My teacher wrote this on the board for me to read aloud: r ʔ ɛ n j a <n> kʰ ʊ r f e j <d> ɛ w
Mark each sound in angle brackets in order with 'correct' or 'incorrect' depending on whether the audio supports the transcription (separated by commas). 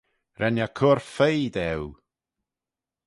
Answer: incorrect, correct